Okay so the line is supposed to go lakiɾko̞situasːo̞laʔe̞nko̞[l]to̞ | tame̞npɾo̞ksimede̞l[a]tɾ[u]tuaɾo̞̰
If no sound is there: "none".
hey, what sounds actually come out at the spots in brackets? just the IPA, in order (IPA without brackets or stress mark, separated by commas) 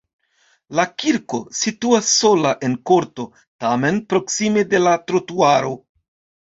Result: ɾ, a, o